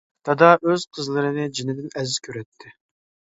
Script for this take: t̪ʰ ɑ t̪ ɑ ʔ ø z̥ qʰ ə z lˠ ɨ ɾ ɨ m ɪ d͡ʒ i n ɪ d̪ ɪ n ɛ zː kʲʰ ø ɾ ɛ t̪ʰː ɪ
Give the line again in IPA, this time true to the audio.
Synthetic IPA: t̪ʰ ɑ d̪ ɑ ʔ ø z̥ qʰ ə z lˠ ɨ ɾ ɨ n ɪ d͡ʒ i n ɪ d̪ ɪ n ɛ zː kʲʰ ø ɾ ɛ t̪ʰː ɪ